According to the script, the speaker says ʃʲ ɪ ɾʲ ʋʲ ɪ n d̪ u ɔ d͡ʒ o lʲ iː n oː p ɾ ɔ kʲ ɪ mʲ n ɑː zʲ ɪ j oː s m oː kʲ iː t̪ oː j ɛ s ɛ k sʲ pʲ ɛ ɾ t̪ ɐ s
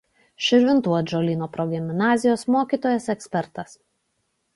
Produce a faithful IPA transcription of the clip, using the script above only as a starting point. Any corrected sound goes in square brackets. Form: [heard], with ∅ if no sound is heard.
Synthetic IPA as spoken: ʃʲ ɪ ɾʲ ʋʲ ɪ n [t̪] u ɔ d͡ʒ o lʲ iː n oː p ɾ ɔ [ɡʲ] ɪ mʲ n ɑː zʲ ɪ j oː s m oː kʲ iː t̪ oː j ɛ s ɛ k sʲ pʲ ɛ ɾ t̪ ɐ s